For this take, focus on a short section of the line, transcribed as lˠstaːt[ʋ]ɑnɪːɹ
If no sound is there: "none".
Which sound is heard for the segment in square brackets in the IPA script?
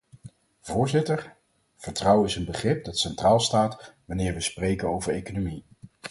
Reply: ʋ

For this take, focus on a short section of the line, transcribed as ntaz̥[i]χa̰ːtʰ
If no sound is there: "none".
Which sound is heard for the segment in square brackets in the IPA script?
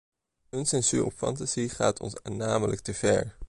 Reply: i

